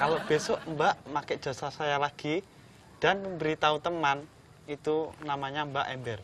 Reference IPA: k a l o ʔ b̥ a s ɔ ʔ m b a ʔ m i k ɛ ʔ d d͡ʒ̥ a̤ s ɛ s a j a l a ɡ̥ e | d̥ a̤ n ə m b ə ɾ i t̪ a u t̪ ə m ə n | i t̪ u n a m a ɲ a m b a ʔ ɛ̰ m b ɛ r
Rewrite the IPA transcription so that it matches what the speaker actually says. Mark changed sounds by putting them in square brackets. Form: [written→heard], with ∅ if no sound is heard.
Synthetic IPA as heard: k a l o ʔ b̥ [a→e] s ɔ ʔ m b a ʔ m [i→a] k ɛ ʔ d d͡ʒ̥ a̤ s [ɛ→a] s a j a l a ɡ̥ [e→i] | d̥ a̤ n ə m b ə ɾ i t̪ a u t̪ ə m [ə→a] n | i t̪ u n a m a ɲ a m b a ʔ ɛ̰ m b ɛ r